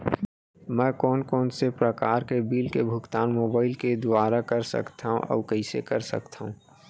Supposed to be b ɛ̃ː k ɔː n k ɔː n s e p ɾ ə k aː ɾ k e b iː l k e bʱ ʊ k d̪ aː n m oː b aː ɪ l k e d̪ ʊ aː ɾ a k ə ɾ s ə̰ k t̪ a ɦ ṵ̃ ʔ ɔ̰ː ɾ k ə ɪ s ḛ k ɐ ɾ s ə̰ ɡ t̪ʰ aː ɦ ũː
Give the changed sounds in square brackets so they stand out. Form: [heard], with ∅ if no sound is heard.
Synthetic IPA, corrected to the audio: [m] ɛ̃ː k ɔː n k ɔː n s e p ɾ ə k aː ɾ k e b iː l k e bʱ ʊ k [t̪] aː n m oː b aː ɪ l k e d̪ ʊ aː ɾ a k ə ɾ s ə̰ k t̪ a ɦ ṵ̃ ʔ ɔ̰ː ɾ k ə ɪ s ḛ k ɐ ɾ s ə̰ [k] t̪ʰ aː ɦ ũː